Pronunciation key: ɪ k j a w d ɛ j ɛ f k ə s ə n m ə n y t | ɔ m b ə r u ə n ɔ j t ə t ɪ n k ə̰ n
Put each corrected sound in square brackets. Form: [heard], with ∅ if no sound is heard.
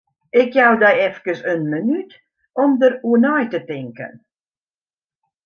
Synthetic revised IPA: ɪ k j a w d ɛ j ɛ f k ə s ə n m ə n y t | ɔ m [d] ə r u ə n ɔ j t ə t ɪ [ŋ] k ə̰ n